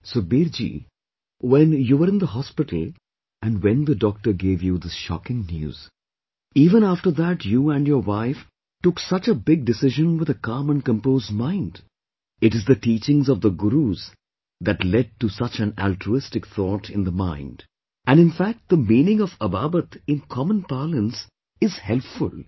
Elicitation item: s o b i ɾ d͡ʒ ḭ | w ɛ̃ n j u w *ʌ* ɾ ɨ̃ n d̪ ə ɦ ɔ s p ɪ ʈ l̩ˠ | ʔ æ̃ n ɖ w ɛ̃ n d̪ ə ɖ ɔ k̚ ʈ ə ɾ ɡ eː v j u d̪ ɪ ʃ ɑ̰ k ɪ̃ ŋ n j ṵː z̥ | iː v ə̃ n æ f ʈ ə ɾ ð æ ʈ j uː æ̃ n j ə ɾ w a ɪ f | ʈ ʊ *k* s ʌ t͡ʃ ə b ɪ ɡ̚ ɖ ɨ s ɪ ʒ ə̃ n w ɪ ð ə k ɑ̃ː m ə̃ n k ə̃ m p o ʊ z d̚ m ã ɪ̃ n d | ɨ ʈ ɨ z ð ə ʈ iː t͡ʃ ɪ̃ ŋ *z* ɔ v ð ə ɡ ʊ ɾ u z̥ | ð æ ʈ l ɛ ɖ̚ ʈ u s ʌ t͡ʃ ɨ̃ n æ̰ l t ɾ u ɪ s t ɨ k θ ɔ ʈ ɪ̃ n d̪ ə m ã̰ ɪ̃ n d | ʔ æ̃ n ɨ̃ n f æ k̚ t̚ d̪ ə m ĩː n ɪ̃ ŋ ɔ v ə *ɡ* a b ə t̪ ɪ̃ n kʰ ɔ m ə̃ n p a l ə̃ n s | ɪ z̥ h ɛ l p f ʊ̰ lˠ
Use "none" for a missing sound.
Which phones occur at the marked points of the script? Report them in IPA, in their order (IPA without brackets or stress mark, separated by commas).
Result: ə, k, z, b